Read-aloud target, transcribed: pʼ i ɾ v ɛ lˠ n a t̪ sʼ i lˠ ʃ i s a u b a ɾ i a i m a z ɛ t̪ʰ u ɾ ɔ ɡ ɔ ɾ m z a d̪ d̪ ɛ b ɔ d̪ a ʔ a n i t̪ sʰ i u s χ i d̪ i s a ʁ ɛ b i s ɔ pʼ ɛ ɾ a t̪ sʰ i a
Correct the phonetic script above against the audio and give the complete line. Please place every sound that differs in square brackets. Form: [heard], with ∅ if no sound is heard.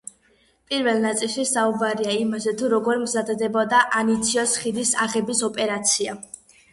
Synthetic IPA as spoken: pʼ i ɾ v ɛ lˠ n a t̪ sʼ i lˠ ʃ i s a u b a ɾ i a i m a z ɛ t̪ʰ u ɾ ɔ ɡ ɔ ɾ m z a d̪ d̪ ɛ b ɔ d̪ a ʔ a n i t̪ sʰ i [ɔ] s χ i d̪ i s a ʁ ɛ b i s ɔ pʼ ɛ ɾ a t̪ sʰ i a